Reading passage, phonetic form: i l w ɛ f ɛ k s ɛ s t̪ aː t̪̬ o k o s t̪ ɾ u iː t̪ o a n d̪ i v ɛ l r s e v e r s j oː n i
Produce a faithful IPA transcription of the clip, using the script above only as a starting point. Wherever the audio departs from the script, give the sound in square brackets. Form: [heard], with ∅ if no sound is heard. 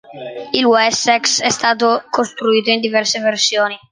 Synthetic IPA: i l w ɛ [s] ɛ k s ɛ s t̪ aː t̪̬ o k o s t̪ ɾ u iː t̪ o [i] n d̪ i v ɛ [∅] r s e v e r s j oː n i